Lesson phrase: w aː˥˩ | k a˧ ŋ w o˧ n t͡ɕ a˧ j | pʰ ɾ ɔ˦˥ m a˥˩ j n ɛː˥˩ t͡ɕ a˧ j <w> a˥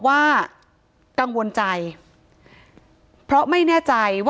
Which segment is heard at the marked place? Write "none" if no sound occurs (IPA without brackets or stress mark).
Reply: w